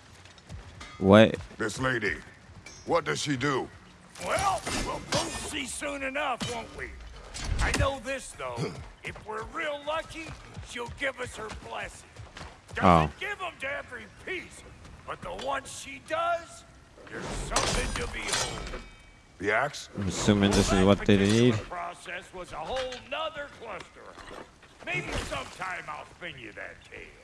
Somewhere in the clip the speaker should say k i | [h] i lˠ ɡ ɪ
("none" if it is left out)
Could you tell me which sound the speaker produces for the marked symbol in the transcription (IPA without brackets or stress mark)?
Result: ʃ